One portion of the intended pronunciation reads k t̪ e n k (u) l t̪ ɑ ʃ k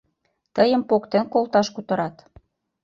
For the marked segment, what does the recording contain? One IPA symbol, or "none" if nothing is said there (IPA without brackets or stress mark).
o